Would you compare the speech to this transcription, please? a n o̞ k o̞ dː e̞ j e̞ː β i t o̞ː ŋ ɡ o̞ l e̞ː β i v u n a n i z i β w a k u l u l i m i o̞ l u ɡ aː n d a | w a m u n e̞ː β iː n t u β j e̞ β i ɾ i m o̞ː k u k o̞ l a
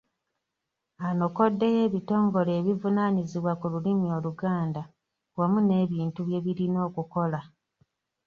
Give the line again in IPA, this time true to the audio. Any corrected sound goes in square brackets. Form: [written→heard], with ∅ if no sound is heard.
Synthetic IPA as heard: a n o̞ k o̞ dː e̞ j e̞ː β i t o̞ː ŋ ɡ o̞ l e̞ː β i v u n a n i z i β w a k u l u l i m i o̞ l u ɡ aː n d a | w a m u n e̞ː β iː n t u β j e̞ β i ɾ i [m→n] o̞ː k u k o̞ l a